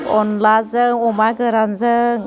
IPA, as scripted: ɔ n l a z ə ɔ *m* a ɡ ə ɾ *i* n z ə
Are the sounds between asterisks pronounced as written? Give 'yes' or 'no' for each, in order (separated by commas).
yes, no